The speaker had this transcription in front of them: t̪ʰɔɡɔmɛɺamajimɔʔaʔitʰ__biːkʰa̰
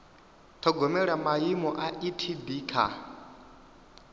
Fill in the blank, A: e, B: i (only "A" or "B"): B